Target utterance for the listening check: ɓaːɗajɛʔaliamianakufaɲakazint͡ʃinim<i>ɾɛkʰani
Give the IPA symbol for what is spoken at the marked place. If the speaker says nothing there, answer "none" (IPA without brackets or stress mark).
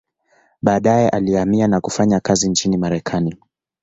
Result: a